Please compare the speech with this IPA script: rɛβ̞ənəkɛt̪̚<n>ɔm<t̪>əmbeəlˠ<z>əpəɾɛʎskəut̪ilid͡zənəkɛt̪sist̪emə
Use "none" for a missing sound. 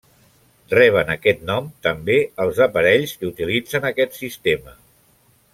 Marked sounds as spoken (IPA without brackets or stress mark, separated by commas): n, t̪, z